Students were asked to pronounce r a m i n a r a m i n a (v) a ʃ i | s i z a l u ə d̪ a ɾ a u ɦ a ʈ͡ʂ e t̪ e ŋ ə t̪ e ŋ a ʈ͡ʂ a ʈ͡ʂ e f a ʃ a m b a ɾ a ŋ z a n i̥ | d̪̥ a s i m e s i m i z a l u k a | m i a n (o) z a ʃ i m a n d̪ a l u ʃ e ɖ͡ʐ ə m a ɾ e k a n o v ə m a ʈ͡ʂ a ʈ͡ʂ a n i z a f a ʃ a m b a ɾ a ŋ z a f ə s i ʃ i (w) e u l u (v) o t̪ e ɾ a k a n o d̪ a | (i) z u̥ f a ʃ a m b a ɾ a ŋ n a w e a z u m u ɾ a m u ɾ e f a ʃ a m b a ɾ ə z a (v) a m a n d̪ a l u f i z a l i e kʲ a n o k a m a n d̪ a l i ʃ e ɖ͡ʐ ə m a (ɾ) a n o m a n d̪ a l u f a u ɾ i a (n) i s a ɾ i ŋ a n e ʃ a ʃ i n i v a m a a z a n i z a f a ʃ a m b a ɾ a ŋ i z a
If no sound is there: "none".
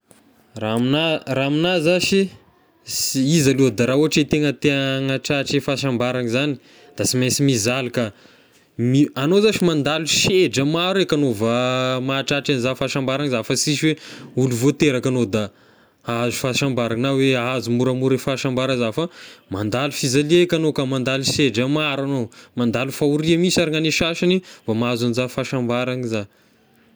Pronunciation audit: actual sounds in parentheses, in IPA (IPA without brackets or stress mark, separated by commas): z, o, w, v, a, f, ɾ, m